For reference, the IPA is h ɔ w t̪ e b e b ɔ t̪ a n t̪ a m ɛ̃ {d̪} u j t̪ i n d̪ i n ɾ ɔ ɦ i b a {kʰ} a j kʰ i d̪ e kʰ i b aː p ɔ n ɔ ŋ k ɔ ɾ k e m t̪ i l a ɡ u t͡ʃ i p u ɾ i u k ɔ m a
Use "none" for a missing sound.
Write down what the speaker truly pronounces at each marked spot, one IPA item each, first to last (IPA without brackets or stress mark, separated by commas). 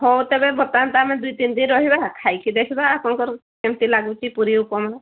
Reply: d̪, kʰ